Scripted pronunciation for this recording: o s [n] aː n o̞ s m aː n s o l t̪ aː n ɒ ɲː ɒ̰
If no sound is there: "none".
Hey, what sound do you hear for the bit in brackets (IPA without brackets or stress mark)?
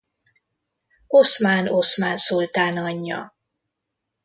m